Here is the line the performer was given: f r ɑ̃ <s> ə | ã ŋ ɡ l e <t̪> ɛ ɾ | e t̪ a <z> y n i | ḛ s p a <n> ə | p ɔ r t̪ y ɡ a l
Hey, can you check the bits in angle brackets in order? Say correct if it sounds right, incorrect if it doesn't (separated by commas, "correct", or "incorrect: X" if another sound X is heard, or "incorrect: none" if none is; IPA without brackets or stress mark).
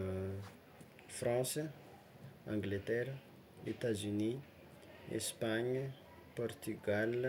correct, correct, correct, incorrect: ɲ